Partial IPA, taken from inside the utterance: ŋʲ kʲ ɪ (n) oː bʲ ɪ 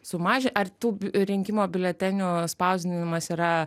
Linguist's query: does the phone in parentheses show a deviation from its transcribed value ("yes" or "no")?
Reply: yes